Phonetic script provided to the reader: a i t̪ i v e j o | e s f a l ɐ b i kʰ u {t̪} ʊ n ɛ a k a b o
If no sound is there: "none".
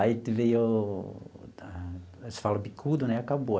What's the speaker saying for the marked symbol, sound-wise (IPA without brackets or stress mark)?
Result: d̪